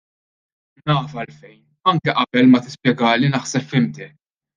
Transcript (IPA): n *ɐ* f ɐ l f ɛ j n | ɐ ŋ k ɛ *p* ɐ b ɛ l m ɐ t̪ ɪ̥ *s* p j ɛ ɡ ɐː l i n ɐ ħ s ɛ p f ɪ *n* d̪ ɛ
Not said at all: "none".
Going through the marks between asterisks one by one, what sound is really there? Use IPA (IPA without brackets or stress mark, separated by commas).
ɐː, ʔ, s, m